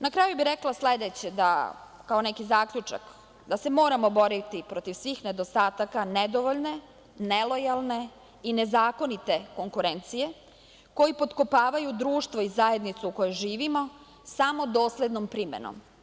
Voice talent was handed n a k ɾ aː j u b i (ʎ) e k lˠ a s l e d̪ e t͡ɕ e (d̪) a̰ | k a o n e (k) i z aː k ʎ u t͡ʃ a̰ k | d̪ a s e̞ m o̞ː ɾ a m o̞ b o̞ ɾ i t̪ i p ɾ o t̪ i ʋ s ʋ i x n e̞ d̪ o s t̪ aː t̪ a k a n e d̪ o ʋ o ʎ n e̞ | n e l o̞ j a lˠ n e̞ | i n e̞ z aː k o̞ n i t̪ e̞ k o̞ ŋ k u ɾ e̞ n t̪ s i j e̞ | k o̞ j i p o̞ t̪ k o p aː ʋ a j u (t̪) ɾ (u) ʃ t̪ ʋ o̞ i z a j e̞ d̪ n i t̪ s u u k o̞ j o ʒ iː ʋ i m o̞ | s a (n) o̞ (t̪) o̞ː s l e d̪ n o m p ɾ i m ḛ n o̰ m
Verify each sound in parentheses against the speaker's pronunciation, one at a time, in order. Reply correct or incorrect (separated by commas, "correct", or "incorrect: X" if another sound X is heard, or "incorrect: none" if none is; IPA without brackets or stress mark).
incorrect: ɾ, correct, correct, incorrect: d̪, incorrect: uː, incorrect: m, incorrect: d̪